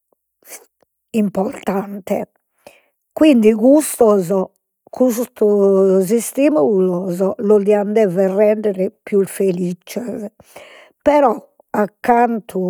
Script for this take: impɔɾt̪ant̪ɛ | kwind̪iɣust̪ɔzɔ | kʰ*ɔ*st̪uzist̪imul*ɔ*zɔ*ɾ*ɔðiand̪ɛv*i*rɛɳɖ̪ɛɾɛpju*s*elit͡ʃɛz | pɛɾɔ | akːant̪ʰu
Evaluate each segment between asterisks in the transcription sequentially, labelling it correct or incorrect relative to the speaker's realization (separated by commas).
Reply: incorrect, correct, incorrect, incorrect, incorrect